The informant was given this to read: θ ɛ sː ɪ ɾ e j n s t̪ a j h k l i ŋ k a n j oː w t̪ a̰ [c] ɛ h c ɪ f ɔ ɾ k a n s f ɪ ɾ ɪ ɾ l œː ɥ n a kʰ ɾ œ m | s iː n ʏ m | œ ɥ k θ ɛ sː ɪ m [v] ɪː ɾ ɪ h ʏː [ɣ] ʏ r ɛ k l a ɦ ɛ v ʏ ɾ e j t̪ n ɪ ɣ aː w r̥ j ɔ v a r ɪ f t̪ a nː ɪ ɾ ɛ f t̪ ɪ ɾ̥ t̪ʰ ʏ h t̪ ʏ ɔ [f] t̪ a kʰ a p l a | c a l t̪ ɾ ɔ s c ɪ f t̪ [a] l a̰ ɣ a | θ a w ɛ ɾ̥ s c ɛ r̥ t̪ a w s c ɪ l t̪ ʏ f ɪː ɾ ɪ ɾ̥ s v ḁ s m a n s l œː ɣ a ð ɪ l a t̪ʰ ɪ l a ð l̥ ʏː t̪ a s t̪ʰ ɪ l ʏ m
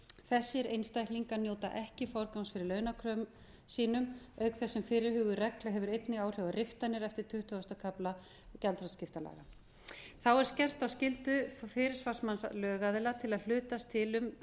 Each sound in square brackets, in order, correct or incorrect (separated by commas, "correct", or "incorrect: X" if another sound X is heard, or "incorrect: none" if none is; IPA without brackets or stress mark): incorrect: ʔ, incorrect: f, correct, incorrect: s, correct